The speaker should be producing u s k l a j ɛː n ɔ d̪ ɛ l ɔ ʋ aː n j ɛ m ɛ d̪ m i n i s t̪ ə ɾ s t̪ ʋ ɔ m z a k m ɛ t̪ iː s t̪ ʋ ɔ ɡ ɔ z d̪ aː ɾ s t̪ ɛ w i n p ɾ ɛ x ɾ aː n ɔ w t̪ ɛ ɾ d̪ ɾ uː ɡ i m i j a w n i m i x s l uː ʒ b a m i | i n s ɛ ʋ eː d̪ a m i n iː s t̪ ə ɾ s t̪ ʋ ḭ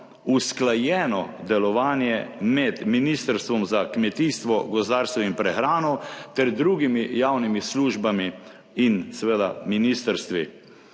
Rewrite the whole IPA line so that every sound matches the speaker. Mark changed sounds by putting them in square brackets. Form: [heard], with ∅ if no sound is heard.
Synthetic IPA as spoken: u s k l a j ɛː n ɔ d̪ ɛ l ɔ ʋ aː n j ɛ m ɛ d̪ m i n i s t̪ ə ɾ s t̪ ʋ ɔ m z a k m ɛ t̪ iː s t̪ ʋ ɔ ɡ ɔ z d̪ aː ɾ s t̪ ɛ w i n p ɾ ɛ x ɾ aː n ɔ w t̪ ɛ ɾ d̪ ɾ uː ɡ i m i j a w n i m i [∅] s l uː ʒ b a m i | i n s ɛ ʋ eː d̪ a m i n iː s t̪ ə ɾ s t̪ ʋ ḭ